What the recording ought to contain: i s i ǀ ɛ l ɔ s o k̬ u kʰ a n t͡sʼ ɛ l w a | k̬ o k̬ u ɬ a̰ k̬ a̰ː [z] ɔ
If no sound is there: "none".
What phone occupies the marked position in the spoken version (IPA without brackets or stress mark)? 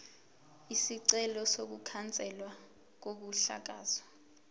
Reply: z